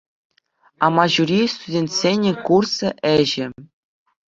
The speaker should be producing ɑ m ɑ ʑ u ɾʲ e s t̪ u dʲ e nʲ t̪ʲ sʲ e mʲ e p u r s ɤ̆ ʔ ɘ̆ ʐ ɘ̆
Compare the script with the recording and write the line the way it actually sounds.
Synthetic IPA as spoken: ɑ m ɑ ʑ u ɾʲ i s t̪ u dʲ e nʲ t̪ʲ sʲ e nʲ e k u r s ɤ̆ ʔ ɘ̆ ʑ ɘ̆